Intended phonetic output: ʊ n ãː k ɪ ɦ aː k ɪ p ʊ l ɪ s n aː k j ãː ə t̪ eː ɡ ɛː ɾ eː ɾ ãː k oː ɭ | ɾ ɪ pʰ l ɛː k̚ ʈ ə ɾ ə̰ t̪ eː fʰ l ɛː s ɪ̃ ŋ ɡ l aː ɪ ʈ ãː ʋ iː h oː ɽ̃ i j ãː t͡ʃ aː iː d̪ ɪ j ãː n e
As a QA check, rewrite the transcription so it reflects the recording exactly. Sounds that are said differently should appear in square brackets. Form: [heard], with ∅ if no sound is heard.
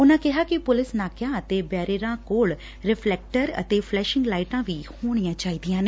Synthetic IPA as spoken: ʊ n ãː k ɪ ɦ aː k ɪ p ʊ l ɪ s n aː k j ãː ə t̪ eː [b] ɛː ɾ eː ɾ ãː k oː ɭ | ɾ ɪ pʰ l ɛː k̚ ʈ ə ɾ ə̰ t̪ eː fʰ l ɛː [ʃ] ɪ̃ ŋ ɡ l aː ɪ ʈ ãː ʋ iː h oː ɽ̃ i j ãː t͡ʃ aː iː d̪ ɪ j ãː n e